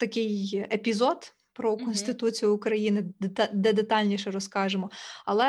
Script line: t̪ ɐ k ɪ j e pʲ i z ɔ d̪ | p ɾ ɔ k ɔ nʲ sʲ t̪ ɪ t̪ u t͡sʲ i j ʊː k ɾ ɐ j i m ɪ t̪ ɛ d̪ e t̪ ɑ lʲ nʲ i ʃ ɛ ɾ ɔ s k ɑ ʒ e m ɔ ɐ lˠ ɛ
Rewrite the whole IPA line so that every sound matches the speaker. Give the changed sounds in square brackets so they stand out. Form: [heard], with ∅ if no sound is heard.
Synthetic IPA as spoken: t̪ ɐ k ɪ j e pʲ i z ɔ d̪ | p ɾ ɔ k ɔ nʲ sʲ t̪ ɪ t̪ u t͡sʲ i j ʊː k ɾ ɐ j i [n] ɪ [d̪] ɛ d̪ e t̪ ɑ lʲ nʲ i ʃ ɛ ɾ ɔ s k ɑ ʒ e m ɔ ɐ lˠ ɛ